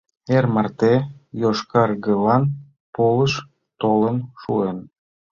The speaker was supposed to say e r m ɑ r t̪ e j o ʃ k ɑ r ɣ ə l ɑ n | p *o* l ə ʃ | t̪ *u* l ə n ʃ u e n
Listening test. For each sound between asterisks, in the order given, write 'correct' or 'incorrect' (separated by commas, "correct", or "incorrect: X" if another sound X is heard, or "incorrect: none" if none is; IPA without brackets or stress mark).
correct, incorrect: o